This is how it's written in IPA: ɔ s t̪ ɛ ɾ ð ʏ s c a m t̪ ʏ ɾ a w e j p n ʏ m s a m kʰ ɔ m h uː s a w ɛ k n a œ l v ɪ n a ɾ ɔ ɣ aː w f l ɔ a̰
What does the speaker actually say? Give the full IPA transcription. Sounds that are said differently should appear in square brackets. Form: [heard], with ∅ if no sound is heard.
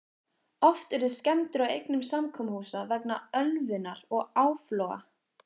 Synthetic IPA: ɔ [f] t̪ ɛ ɾ ð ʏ s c [ɛ] m t̪ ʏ ɾ a w e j [k] n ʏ m s a m kʰ ɔ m h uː s a [v] ɛ k n a œ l v ɪ n a ɾ ɔ ɣ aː w f l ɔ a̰